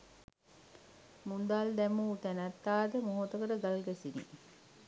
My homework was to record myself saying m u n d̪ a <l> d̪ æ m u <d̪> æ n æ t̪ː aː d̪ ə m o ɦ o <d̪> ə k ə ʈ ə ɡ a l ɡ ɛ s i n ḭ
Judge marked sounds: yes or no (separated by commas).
yes, no, no